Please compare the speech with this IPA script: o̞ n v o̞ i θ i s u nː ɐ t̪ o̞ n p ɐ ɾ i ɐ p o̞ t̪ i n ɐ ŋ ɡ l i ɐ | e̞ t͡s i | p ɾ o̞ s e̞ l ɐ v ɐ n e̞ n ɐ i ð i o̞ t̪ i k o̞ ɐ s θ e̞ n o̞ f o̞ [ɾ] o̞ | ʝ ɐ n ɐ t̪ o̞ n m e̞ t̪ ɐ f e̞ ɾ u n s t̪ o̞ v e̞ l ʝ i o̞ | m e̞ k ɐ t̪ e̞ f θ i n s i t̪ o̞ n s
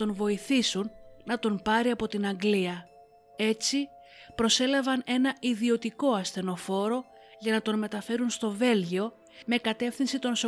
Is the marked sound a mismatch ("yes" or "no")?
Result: no